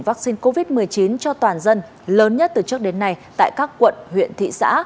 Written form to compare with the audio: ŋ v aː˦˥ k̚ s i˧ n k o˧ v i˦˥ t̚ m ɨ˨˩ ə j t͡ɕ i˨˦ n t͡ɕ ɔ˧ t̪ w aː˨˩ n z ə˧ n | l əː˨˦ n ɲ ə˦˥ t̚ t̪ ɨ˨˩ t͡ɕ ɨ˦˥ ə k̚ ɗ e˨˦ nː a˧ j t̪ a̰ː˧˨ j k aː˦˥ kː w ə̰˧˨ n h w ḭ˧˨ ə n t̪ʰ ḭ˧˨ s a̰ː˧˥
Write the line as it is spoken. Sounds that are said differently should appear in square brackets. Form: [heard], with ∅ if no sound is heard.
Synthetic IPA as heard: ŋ v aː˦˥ k̚ s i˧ n k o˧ v i˦˥ t̚ m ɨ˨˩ ə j t͡ɕ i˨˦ n t͡ɕ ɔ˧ t̪ w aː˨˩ n z ə˧ n | l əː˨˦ n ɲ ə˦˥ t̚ t̪ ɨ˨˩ t͡ɕ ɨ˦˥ ə k̚ ɗ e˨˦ nː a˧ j t̪ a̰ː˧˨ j k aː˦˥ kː w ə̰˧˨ n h w ḭ˧˨ ə n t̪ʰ ḭ˧˨ s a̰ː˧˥